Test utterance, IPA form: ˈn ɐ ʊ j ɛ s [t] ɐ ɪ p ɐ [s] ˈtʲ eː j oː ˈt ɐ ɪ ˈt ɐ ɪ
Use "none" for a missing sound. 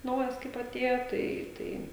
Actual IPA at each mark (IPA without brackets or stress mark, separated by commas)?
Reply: k, none